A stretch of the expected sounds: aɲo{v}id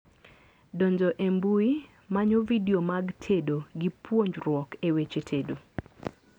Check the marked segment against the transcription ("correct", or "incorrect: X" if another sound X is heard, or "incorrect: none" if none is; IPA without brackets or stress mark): correct